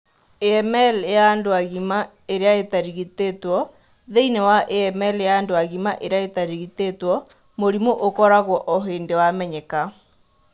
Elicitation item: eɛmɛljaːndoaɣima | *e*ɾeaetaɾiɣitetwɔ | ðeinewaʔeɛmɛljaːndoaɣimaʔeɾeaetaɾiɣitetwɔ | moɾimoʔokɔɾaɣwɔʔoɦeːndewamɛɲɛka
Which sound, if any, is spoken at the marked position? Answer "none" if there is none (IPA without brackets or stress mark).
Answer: e